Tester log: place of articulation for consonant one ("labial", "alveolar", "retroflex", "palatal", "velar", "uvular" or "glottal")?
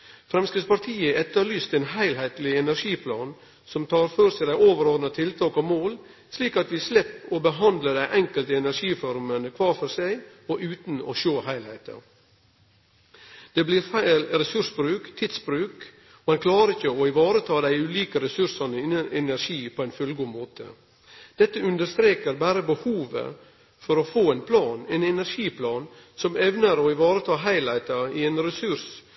labial